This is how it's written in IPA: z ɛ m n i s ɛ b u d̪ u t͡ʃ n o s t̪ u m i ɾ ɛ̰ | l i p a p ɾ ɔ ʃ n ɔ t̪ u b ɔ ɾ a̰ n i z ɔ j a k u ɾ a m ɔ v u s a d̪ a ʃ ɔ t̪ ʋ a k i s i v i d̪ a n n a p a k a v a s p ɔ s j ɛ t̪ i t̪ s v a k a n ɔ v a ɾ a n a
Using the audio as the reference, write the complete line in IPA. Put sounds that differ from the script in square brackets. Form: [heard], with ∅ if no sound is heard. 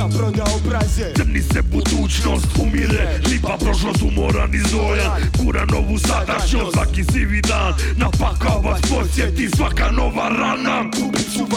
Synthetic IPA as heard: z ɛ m n i s ɛ b u d̪ u t͡ʃ n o s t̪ u m i ɾ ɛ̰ | l i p a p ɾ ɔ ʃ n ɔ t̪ u [m] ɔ ɾ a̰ n i z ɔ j a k u ɾ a [n] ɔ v u s a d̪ a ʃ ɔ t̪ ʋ a k i s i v i d̪ a n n a p a k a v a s p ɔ s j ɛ t̪ i [∅] s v a k a n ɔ v a ɾ a n a